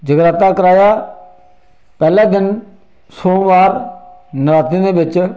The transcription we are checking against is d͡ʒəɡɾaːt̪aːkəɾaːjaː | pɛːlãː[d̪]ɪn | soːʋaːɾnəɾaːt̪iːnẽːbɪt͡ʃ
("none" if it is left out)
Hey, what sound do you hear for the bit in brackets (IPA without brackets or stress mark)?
d̪